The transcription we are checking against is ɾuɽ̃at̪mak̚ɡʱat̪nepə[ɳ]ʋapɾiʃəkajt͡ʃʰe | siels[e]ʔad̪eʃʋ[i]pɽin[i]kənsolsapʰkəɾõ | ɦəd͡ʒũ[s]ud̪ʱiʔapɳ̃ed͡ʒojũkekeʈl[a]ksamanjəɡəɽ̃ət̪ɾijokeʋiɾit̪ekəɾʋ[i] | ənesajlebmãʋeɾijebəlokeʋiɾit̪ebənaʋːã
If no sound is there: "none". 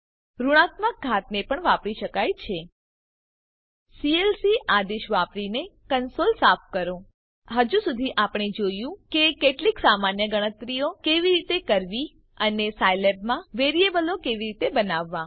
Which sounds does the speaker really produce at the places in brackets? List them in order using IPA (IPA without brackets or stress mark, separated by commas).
ɳ, i, a, e, s, i, i